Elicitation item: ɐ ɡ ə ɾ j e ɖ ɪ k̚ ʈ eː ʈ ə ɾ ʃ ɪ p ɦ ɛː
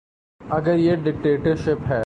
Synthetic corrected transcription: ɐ ɡ ə ɾ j e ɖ ɪ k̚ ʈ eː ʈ ə ɾ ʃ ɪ p ɦ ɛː